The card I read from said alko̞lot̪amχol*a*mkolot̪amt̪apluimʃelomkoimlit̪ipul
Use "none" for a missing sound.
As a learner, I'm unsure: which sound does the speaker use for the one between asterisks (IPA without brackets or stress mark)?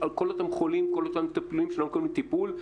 i